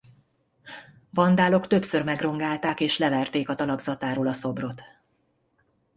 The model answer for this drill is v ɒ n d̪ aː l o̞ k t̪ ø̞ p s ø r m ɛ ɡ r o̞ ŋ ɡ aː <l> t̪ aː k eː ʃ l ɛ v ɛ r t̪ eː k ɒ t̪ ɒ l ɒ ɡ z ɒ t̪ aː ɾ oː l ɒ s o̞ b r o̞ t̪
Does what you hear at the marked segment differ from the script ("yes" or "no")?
no